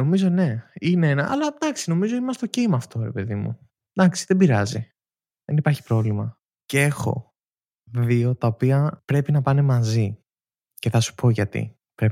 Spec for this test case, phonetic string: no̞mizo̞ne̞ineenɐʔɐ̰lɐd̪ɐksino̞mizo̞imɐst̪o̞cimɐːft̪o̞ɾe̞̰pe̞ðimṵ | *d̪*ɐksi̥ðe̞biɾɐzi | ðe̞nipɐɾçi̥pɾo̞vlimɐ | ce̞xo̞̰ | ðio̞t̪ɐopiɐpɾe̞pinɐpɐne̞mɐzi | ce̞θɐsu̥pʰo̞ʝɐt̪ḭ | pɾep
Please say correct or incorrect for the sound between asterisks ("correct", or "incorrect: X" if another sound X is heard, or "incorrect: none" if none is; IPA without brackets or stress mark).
correct